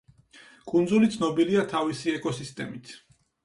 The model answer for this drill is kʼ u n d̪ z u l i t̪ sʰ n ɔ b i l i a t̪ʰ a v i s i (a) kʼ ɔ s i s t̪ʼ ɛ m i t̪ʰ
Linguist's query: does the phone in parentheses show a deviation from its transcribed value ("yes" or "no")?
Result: yes